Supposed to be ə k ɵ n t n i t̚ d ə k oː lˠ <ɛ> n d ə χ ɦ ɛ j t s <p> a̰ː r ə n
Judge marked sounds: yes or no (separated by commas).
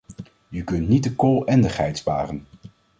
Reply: yes, yes